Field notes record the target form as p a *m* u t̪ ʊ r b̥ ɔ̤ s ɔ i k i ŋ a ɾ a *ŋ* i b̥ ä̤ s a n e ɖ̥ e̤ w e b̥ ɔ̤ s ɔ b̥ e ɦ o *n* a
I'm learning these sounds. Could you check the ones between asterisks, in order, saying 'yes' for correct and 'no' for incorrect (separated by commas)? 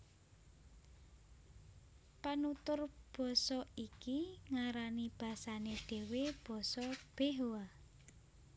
no, no, no